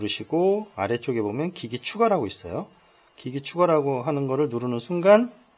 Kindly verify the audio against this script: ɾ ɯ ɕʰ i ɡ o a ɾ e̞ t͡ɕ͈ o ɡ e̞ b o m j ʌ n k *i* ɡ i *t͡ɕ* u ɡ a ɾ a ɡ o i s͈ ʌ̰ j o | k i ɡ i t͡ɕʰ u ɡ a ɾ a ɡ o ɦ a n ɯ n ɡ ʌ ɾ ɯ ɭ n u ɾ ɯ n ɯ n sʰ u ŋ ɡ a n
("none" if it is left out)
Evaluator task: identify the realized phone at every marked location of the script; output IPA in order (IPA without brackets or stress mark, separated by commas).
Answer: i, t͡ɕʰ